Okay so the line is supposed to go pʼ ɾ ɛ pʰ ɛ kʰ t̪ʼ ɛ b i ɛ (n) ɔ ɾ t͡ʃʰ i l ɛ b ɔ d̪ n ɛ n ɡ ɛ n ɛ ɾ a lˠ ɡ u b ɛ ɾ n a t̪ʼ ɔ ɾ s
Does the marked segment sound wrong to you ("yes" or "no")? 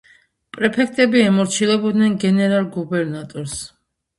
yes